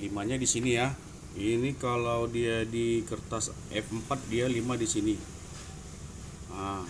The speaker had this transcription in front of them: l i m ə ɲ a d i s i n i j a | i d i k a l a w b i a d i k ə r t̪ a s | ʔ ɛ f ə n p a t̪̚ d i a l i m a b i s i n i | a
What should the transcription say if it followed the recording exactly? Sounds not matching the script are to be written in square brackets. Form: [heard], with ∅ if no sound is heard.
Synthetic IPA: l i m [a] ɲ a d i s i n i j a | i [n] i k a l a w [d] i a d i k ə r t̪ a s | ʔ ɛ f ə [m] p a t̪̚ d i a l i m a [d] i s i n i | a